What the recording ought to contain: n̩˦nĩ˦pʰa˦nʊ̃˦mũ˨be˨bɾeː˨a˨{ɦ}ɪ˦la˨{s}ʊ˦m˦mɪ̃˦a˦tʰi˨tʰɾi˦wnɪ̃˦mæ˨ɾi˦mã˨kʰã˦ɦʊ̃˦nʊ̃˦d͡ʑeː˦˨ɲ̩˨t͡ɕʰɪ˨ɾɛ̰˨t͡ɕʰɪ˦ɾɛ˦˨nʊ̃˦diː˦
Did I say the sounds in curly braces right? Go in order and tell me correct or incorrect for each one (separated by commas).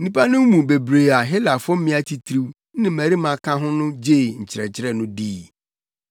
correct, incorrect